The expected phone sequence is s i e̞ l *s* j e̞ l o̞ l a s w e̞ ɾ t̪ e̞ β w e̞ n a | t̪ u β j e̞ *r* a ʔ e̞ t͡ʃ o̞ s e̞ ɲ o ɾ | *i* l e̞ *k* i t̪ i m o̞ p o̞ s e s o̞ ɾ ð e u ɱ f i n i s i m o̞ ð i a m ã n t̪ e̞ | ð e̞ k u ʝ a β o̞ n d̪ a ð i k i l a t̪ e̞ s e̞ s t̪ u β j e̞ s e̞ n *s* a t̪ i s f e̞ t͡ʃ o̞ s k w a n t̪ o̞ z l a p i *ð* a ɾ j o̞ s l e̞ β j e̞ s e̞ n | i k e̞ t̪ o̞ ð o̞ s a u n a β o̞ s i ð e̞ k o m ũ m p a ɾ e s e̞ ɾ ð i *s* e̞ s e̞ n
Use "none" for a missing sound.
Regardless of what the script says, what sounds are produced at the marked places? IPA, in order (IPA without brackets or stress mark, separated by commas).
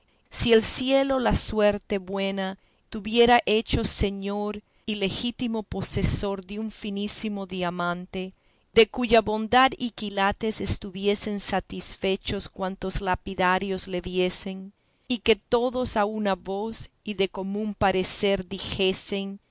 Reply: s, ɾ, i, x, s, ð, x